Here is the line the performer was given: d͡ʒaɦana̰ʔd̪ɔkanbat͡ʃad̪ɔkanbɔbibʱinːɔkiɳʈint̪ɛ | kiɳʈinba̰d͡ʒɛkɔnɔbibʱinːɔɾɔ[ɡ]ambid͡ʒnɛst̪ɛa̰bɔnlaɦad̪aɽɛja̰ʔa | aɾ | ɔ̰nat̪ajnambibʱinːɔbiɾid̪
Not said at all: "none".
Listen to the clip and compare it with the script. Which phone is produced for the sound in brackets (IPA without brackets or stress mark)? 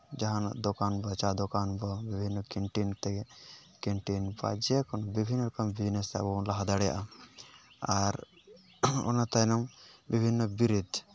k